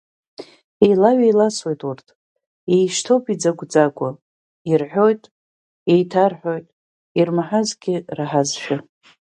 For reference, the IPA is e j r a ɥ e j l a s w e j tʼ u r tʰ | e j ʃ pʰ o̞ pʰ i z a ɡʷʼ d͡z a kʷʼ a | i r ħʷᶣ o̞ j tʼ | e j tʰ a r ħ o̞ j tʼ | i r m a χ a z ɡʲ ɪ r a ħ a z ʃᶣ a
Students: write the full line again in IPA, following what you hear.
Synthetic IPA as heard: e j l a ɥ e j l a s w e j tʼ u r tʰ | e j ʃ tʰ o̞ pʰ i d͡z a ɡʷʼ d͡z a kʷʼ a | i r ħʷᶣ o̞ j tʼ | e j tʰ a r ħ o̞ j tʼ | i r m a ħ a z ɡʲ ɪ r a ħ a z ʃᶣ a